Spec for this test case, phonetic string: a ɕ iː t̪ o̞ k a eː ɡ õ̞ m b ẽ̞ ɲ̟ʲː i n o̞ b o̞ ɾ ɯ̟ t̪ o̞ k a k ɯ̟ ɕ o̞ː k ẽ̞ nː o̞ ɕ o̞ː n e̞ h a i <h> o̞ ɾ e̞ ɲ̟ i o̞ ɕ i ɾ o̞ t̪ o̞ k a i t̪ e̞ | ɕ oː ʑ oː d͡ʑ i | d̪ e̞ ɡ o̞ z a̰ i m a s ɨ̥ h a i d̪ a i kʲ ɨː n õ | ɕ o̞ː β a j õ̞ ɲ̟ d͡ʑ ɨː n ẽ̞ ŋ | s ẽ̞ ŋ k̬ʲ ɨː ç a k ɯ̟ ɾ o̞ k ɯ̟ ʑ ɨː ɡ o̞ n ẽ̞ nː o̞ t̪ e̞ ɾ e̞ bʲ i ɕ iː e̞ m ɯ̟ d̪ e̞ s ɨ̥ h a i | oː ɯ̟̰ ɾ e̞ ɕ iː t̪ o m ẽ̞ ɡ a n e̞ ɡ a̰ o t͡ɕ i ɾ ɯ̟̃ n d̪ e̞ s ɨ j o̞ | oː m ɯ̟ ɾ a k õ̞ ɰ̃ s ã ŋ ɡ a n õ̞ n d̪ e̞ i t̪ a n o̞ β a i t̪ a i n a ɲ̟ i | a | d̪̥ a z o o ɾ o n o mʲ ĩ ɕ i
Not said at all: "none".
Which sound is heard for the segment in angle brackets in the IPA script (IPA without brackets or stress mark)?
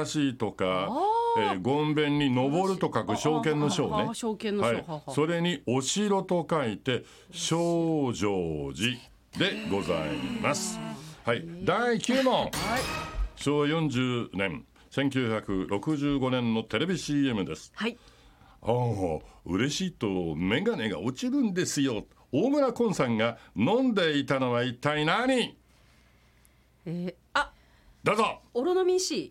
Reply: s